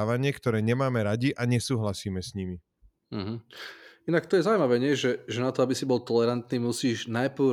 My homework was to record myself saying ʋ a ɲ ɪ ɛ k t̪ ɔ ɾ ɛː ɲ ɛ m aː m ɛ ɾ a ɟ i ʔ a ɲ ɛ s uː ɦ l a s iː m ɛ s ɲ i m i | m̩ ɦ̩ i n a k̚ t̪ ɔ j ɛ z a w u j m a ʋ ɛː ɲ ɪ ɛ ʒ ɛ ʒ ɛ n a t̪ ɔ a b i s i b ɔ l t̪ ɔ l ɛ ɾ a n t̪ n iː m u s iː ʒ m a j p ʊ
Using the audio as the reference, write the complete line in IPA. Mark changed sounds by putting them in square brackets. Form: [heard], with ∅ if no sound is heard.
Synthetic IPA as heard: ʋ a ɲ ɪ ɛ k t̪ ɔ ɾ ɛː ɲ ɛ m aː m ɛ ɾ a ɟ i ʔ a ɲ ɛ s uː ɦ l a s iː m ɛ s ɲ i m i | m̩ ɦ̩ i n a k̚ t̪ ɔ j ɛ z a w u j m a ʋ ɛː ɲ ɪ ɛ ʒ ɛ ʒ ɛ n a t̪ ɔ a b i s i b ɔ l t̪ ɔ l ɛ ɾ a n t̪ n iː m u s iː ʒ [n] a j p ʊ